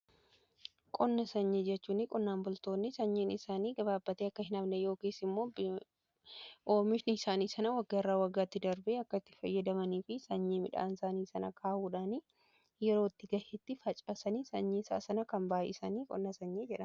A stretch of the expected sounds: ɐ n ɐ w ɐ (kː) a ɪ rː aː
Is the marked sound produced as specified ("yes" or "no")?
no